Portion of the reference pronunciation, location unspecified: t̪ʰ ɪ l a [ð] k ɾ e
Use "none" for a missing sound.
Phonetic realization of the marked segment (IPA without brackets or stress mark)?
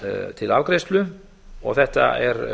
v